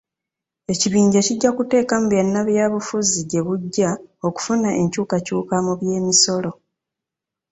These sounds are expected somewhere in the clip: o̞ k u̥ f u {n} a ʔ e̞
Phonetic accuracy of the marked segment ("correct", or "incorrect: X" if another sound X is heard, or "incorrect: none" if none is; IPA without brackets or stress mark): correct